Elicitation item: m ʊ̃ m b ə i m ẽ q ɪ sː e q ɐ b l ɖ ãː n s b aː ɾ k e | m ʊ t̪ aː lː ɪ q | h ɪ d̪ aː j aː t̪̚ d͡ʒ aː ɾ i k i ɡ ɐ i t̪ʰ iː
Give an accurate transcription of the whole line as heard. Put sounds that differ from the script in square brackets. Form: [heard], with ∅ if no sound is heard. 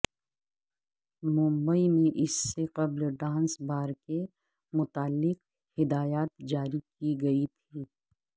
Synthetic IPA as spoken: m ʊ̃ m b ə i m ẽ [ʔ] ɪ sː e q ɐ b l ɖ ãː n s b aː ɾ k e | m ʊ t̪ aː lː ɪ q | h ɪ d̪ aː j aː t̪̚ d͡ʒ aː ɾ i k i ɡ ɐ i t̪ʰ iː